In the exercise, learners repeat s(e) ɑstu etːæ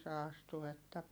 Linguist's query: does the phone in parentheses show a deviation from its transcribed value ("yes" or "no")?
no